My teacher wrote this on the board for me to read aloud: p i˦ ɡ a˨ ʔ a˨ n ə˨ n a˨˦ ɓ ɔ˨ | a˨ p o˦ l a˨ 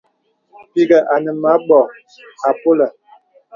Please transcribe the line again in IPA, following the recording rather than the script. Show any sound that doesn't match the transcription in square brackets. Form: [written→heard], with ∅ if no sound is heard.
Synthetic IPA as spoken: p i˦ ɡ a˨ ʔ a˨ n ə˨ [n→m] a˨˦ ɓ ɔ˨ | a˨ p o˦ l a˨